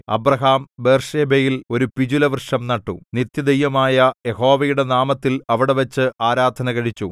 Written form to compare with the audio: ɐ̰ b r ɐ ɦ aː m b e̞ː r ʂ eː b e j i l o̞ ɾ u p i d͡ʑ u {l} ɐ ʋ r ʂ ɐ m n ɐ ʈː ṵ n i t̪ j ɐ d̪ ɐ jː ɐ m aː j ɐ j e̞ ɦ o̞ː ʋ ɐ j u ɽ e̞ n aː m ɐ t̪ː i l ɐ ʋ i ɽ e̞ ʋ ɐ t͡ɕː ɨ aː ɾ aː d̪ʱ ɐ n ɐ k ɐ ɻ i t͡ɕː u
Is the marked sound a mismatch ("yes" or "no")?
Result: no